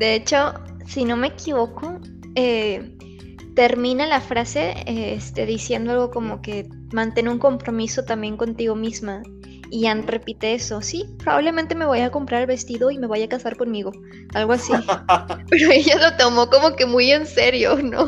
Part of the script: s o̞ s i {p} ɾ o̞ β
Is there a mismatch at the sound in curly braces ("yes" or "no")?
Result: no